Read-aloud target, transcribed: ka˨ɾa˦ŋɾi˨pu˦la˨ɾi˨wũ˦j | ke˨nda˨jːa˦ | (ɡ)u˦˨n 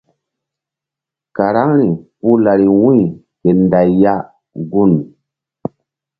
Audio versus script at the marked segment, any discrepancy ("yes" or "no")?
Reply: no